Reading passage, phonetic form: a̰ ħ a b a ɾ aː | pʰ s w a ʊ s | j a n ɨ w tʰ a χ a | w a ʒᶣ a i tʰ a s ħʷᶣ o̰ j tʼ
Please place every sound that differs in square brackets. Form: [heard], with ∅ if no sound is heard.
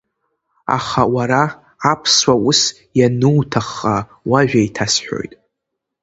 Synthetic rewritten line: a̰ [χ] a [w] a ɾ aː | pʰ s w a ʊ s | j a n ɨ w tʰ a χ a | w a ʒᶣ a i tʰ a s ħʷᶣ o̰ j tʼ